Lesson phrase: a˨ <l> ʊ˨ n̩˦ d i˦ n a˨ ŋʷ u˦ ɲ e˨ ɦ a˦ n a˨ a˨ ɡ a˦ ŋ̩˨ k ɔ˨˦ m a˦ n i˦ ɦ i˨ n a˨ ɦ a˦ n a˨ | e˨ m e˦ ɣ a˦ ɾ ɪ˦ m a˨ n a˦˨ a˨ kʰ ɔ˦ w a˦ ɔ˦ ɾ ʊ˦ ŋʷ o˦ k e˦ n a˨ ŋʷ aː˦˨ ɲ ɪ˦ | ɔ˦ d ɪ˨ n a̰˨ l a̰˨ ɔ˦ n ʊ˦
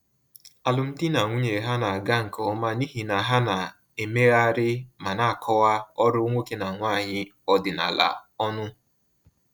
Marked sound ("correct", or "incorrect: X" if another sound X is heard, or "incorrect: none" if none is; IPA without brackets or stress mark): correct